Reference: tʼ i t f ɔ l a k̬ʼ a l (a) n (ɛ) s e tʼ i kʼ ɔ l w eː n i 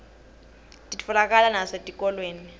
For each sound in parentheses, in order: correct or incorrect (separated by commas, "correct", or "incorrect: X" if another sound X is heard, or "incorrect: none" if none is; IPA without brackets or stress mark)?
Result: correct, incorrect: a